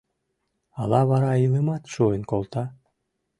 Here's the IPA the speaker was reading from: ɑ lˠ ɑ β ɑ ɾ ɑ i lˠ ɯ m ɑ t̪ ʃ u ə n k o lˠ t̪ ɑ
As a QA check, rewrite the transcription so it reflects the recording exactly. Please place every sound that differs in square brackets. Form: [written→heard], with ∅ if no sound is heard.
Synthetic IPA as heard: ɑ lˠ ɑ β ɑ ɾ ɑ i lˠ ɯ m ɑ t̪ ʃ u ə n k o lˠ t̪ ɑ